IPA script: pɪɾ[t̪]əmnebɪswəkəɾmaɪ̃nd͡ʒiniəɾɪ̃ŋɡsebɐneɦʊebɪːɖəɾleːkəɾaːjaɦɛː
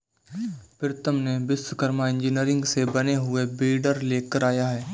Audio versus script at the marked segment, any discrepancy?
no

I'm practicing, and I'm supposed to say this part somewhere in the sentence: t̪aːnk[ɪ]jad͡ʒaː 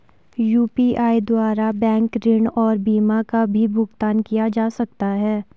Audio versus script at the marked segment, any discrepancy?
yes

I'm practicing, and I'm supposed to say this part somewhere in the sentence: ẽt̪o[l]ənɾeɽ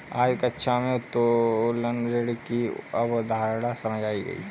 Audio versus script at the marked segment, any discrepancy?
no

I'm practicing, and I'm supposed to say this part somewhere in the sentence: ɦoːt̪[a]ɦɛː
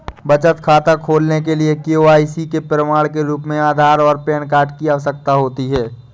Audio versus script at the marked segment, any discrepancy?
yes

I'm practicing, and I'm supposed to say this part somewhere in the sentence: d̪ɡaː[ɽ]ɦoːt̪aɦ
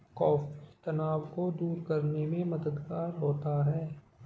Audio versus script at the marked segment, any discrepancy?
yes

